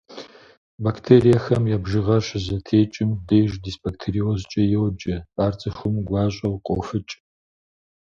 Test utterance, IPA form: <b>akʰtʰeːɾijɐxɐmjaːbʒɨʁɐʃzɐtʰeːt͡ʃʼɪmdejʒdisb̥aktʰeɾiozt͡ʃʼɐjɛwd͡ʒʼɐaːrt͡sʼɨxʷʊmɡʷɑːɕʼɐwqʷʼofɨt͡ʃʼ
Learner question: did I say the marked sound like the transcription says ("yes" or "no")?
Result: yes